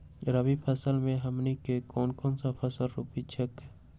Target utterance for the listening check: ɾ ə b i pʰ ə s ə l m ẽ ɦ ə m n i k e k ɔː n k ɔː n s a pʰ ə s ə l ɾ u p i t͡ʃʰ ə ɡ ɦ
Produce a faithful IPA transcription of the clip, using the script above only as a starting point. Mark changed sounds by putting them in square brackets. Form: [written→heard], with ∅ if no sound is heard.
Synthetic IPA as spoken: ɾ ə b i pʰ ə s ə l m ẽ ɦ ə m n i k e k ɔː n k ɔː n s a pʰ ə s ə l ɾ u p i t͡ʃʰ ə [ɡ→k] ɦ